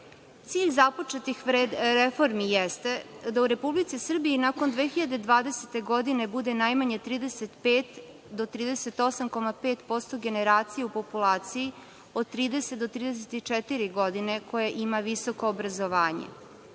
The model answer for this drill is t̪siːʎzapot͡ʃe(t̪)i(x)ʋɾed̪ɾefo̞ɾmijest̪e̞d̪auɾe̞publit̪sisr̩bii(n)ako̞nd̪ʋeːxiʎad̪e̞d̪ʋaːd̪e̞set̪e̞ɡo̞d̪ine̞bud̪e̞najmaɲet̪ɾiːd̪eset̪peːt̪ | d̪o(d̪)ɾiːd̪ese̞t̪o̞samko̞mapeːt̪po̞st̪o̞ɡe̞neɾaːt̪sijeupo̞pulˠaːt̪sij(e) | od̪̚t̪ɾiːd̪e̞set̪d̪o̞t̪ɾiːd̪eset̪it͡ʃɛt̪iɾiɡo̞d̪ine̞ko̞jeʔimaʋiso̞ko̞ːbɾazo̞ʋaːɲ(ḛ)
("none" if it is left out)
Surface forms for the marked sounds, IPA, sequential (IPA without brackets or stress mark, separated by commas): t̪, x, n, t̪, i, ḛ